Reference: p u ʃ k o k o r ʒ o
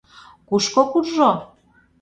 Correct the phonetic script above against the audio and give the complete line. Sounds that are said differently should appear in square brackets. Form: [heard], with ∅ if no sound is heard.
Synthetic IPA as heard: [k] u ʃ k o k [u] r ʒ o